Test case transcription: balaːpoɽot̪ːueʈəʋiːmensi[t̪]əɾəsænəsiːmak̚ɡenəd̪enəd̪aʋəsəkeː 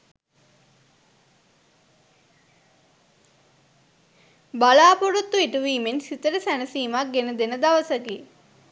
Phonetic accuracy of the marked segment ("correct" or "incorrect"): correct